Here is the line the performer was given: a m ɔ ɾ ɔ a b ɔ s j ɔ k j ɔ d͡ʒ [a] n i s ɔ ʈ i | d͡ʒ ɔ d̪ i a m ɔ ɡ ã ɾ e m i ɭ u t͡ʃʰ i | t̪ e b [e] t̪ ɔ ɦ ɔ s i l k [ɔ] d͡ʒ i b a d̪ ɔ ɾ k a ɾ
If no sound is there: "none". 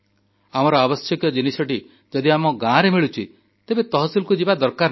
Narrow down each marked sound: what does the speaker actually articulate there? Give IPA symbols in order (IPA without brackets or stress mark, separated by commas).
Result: i, e, u